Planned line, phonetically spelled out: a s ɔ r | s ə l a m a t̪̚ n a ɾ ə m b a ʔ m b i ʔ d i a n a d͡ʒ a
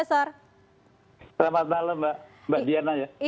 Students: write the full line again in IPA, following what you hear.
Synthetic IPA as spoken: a s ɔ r | s ə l a m a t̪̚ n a l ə m b a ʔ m b a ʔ d i a n a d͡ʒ a